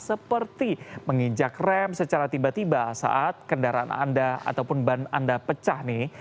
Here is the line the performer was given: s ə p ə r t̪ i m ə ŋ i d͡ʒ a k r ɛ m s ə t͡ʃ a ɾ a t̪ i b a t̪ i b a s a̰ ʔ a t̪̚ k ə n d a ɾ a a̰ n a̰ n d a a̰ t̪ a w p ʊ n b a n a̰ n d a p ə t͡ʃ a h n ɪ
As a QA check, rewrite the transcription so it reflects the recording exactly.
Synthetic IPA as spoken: s ə p ə r t̪ i m ə ŋ i d͡ʒ a k r ɛ m s ə t͡ʃ a ɾ a t̪ i b a t̪ i b a s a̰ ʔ a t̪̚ k ə n d a ɾ a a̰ n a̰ n d a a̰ t̪ a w p ʊ n b a n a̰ n d a p ə t͡ʃ a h n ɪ